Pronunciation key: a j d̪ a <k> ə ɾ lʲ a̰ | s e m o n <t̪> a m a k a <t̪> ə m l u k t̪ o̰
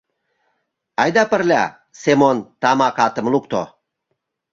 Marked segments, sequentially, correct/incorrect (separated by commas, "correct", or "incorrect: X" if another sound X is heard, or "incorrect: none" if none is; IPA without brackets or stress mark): incorrect: p, correct, correct